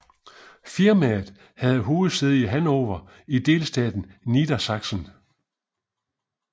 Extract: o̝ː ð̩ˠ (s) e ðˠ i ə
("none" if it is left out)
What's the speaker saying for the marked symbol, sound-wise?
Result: s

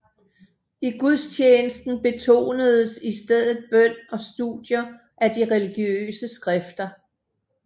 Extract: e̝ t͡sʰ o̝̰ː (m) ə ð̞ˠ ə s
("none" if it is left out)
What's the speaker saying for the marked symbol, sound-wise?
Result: n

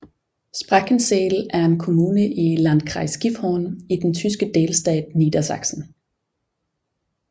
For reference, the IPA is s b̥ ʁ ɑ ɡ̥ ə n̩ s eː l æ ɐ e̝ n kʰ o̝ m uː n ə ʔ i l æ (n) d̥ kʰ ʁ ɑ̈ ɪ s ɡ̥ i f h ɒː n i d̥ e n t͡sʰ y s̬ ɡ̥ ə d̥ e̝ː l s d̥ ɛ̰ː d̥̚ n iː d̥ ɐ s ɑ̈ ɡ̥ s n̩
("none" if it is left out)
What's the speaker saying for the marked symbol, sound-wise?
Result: n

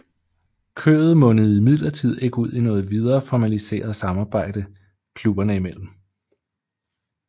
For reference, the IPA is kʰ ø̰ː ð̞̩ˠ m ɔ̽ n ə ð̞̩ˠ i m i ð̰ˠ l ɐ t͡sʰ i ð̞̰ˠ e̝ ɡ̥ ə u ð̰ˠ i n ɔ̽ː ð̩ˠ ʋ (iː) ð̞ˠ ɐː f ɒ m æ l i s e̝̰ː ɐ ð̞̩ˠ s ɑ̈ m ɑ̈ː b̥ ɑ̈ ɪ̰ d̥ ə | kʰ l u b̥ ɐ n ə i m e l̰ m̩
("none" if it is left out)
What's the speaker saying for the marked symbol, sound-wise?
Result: i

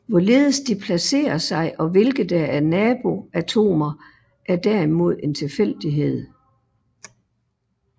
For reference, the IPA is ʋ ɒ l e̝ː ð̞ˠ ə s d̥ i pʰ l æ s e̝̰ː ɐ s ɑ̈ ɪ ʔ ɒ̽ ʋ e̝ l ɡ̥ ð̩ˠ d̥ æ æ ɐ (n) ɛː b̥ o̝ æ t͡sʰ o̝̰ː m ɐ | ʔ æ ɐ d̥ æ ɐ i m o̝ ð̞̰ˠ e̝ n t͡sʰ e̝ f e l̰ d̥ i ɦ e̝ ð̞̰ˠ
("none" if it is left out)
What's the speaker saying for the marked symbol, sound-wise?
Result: n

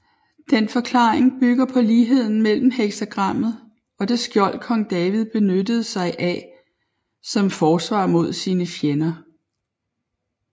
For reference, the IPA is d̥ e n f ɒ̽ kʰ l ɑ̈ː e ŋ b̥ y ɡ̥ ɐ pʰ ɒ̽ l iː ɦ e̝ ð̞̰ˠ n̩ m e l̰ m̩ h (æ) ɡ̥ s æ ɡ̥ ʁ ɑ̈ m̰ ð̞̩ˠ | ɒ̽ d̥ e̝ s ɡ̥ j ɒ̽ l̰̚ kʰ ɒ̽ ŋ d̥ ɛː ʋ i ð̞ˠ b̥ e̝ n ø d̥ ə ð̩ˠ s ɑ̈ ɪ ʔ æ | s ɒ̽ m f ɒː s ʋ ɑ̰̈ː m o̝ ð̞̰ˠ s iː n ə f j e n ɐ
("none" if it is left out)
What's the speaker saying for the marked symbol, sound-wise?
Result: e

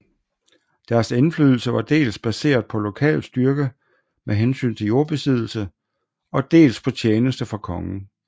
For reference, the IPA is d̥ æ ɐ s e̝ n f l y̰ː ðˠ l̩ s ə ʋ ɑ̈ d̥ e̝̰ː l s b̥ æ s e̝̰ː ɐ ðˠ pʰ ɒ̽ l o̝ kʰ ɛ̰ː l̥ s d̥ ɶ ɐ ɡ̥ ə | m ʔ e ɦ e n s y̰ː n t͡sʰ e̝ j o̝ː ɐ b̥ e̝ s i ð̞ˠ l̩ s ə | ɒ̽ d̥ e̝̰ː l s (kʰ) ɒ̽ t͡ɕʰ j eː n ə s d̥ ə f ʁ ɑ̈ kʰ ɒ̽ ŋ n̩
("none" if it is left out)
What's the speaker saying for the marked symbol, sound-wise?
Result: pʰ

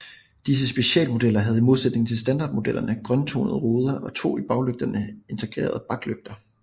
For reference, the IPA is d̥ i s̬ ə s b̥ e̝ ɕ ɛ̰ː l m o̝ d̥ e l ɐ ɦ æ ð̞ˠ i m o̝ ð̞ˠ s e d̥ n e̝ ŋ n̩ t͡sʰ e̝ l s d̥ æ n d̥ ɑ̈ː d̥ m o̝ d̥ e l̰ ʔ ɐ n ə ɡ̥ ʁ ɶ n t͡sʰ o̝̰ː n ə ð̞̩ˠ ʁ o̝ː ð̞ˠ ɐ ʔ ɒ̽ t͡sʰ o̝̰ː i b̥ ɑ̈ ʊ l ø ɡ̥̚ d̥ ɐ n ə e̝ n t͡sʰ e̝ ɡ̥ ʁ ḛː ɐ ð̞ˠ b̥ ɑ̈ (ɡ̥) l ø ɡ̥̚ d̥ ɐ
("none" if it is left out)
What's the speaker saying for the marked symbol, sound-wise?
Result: ɡ̥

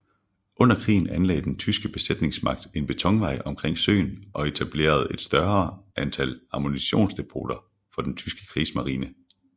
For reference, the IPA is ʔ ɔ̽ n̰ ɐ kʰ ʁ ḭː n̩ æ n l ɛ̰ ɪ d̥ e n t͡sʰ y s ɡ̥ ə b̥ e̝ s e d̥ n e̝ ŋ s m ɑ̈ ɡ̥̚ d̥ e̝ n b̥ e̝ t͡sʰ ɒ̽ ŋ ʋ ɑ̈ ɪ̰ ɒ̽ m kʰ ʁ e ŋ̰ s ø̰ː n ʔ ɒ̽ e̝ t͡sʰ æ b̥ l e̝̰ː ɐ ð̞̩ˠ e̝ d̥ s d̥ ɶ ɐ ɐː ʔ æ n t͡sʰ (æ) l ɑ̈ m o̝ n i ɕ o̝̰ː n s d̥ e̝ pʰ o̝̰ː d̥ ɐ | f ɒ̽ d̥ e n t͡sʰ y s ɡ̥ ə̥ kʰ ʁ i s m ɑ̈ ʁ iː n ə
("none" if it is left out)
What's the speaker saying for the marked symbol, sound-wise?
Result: æ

